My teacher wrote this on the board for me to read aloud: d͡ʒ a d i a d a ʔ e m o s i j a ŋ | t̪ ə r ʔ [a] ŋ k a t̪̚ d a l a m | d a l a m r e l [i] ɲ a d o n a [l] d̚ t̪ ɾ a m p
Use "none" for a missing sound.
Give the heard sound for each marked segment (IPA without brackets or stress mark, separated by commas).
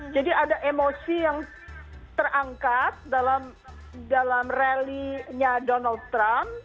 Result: a, i, l